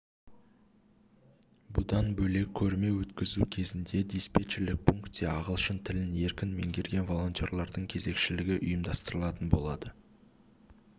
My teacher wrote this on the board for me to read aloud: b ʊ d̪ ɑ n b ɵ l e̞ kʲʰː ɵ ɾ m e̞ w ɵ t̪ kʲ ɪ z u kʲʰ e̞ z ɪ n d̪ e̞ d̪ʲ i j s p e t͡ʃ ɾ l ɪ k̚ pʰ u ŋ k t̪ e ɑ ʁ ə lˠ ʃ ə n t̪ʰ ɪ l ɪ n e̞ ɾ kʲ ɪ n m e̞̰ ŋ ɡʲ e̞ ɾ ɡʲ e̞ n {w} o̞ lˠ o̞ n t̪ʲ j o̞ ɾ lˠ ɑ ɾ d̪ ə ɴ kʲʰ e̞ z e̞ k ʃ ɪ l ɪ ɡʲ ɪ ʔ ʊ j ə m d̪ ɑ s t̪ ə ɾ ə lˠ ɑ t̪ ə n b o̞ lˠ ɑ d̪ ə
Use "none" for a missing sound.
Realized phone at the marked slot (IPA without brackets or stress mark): v